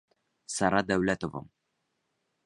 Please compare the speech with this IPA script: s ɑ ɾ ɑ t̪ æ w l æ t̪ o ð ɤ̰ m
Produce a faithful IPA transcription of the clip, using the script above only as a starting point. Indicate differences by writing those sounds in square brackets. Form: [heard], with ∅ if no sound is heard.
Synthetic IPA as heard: s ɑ ɾ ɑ [d̪] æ w l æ t̪ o [v] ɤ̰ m